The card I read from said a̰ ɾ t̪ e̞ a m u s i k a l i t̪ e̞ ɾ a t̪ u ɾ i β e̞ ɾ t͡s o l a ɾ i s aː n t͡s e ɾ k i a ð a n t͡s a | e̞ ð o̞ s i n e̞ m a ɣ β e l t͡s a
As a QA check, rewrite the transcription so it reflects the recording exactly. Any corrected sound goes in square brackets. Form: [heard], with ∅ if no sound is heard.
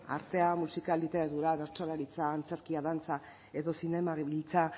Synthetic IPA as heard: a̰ ɾ t̪ e̞ a m u s i k a l i t̪ e̞ ɾ a t̪ u ɾ [a] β e̞ ɾ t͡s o l a ɾ i [t͡s] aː n t͡s e ɾ k i a ð a n t͡s a | e̞ ð o̞ s i n e̞ m a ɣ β [i] l t͡s a